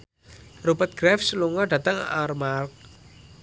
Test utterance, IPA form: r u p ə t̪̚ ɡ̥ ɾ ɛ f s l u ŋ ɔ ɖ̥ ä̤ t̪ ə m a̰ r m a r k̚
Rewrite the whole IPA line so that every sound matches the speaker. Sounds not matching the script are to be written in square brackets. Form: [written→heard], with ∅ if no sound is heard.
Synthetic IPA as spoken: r u p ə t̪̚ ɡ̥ ɾ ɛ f s l u ŋ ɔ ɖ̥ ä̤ t̪ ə [m→ŋ] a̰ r m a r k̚